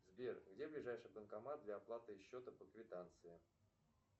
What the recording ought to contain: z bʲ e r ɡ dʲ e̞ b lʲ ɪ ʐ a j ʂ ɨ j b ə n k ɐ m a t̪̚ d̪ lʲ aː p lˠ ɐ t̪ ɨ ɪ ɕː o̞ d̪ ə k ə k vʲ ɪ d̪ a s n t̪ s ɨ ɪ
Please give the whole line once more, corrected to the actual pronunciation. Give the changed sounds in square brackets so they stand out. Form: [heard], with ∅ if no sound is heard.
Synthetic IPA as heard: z bʲ e r ɡ dʲ e̞ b lʲ ɪ ʐ a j ʂ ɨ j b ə n k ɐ m a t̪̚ d̪ lʲ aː p lˠ [a] t̪ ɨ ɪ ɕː o̞ [t̪] ə [p] ə k vʲ ɪ [t̪] a [∅] n t̪ s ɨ ɪ